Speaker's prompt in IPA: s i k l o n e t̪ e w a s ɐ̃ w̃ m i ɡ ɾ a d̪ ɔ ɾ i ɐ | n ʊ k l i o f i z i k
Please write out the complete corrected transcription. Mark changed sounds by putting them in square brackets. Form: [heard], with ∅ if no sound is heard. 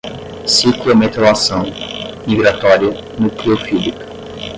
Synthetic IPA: s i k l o [m] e t̪ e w a s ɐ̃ w̃ m i ɡ ɾ a [t̪] ɔ ɾ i ɐ | n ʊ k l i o f i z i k

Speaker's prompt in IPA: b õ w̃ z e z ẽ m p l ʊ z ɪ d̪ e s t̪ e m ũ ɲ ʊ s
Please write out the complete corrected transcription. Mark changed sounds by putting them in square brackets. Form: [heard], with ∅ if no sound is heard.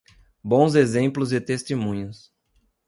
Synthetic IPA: b õ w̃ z e z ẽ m p l ʊ z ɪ [t̪] e s t̪ e m ũ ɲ ʊ s

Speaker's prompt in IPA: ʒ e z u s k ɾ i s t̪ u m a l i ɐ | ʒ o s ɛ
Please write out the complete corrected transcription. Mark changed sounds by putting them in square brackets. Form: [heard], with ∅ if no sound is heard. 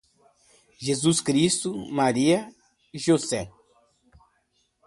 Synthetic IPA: ʒ e z u s k ɾ i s t̪ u m a [ɾ] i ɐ | ʒ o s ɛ

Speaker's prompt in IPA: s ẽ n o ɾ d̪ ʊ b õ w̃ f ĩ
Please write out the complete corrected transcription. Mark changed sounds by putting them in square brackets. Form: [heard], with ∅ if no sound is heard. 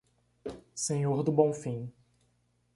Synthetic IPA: s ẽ [ɲ] o ɾ d̪ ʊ b õ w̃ f ĩ

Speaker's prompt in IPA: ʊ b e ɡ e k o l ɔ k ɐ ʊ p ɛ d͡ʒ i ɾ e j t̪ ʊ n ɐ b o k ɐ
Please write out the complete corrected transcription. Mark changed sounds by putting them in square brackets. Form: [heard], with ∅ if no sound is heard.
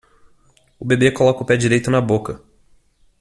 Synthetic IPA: ʊ b e [b] e k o l ɔ k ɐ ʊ p ɛ d͡ʒ i ɾ e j t̪ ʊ n ɐ b o k ɐ

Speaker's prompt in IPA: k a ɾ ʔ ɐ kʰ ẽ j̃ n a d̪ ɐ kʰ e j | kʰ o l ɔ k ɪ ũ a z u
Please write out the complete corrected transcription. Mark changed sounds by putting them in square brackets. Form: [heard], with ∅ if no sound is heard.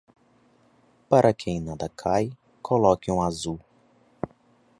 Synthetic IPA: [p] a ɾ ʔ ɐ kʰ ẽ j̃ n a d̪ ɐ kʰ [a] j | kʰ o l ɔ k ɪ ũ a z u

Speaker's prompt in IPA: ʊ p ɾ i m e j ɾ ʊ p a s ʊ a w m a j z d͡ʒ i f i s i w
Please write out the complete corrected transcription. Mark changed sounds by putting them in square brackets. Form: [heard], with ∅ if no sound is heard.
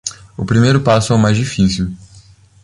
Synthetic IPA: ʊ p ɾ i m e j ɾ ʊ p a s ʊ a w m a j z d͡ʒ i f i s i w

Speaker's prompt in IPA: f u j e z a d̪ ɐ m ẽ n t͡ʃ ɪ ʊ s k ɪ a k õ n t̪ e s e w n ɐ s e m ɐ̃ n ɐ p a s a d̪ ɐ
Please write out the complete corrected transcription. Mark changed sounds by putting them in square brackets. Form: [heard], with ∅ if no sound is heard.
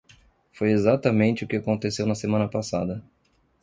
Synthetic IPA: f [o] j e z a [t̪] ɐ m ẽ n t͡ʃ ɪ ʊ [∅] k ɪ a k õ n t̪ e s e w n ɐ s e m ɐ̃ n ɐ p a s a d̪ ɐ

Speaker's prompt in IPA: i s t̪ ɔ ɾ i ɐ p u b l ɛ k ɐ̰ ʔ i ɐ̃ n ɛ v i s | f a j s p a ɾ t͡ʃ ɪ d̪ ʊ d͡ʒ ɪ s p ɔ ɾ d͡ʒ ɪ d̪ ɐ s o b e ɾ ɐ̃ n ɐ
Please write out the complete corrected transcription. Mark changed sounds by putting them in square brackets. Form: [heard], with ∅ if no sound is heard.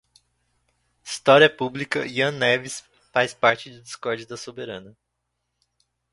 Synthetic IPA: i s t̪ ɔ ɾ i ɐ p u b l [i] k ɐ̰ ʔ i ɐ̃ n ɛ v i s | f a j s p a ɾ t͡ʃ ɪ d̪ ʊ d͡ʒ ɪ s [k] ɔ ɾ d͡ʒ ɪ d̪ ɐ s o b e ɾ ɐ̃ n ɐ

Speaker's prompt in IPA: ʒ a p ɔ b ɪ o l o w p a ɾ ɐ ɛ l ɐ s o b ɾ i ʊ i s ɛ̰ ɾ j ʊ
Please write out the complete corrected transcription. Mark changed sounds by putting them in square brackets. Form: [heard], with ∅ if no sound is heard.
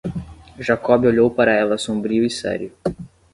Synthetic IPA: ʒ a [k] ɔ b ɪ o [ʎ] o w p a ɾ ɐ ɛ l ɐ s [õ] b ɾ i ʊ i s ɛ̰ ɾ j ʊ

